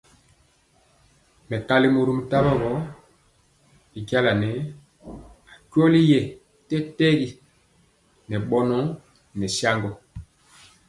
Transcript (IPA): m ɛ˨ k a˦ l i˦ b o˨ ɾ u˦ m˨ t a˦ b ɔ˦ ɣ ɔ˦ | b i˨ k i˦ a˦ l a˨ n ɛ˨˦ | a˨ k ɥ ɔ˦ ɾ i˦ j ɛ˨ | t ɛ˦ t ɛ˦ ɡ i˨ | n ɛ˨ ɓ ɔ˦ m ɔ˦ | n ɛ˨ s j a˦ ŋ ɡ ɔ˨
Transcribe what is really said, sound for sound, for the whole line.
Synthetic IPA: m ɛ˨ k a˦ l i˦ m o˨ ɾ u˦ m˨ t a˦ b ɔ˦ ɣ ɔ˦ | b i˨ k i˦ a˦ l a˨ n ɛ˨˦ | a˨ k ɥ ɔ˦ l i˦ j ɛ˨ | t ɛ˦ t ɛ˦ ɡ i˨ | n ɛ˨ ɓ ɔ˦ n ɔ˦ | n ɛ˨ s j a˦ ŋ ɡ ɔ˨